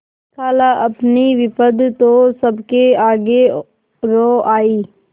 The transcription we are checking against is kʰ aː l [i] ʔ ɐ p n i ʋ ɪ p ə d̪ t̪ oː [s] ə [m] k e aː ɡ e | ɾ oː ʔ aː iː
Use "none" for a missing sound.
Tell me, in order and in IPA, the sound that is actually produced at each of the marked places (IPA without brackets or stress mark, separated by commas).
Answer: a, s, b